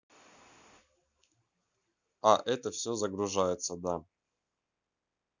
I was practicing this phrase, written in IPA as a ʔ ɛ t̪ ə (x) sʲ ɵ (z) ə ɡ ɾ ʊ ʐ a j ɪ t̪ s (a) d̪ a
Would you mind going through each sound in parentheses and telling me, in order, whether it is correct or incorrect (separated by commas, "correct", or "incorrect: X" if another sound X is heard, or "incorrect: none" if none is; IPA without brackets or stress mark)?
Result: incorrect: f, correct, incorrect: ə